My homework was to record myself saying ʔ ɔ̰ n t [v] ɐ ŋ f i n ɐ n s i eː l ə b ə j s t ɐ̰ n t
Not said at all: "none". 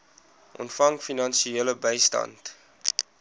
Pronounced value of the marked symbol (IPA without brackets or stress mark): f